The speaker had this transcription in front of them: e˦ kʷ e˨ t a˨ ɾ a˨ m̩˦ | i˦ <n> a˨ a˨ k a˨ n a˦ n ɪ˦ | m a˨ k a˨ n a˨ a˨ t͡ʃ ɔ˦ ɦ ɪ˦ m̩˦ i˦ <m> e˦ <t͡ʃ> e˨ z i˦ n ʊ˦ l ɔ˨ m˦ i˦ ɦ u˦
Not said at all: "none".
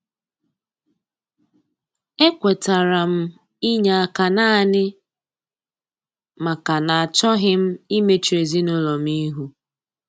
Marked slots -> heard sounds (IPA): ɲ, m, t͡ʃ

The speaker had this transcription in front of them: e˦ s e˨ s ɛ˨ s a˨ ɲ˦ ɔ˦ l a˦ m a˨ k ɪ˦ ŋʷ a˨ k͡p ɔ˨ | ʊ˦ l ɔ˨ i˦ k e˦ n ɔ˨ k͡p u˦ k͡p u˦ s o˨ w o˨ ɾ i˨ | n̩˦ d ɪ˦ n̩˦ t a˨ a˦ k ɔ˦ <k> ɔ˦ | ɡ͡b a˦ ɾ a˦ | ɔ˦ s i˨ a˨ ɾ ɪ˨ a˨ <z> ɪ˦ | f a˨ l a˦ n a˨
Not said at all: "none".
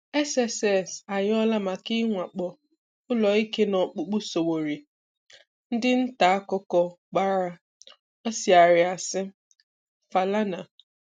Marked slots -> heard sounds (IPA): k, s

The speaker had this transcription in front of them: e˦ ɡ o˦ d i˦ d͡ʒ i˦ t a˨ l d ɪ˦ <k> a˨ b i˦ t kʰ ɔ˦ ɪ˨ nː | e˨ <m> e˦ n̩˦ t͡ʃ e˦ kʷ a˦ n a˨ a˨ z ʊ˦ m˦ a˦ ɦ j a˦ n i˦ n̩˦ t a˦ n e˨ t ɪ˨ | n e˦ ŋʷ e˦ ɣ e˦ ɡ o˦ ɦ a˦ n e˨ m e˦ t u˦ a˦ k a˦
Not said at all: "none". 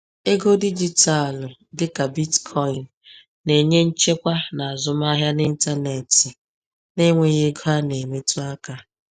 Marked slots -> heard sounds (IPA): k, ɲ

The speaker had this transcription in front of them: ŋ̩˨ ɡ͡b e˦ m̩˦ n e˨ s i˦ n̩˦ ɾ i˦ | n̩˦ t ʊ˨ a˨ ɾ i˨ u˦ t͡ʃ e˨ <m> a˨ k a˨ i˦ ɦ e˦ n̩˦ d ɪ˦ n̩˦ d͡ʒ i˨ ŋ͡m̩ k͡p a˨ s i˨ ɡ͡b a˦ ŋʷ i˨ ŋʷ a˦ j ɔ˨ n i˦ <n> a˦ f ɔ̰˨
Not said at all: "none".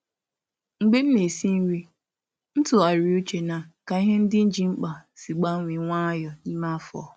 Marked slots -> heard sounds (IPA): n, m

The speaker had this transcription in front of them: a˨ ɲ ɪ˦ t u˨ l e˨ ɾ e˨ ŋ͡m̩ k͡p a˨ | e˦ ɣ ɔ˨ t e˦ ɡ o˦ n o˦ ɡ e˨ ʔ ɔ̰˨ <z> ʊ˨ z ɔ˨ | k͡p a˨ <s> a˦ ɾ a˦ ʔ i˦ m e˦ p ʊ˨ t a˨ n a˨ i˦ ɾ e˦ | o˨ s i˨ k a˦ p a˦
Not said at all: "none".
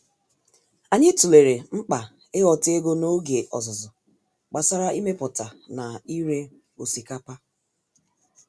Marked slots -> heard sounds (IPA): z, s

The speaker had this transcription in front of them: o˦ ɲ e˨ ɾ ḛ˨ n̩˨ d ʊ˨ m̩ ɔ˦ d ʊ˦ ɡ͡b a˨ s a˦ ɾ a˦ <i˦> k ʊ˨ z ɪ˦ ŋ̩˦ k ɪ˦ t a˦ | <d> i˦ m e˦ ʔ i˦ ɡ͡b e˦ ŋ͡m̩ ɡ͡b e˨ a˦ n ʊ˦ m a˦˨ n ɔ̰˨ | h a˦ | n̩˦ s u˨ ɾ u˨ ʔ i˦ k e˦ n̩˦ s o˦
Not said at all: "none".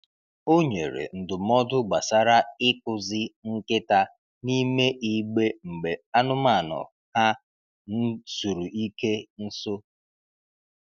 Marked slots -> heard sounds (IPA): ɪ˦, n

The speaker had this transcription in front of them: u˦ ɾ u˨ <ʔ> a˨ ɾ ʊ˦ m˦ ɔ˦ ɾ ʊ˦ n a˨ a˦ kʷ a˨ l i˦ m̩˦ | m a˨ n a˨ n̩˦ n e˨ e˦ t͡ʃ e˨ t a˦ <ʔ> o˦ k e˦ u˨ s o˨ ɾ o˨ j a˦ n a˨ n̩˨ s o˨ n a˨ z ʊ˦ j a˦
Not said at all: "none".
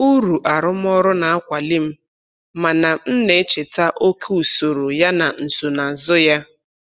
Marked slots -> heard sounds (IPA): ʔ, ʔ

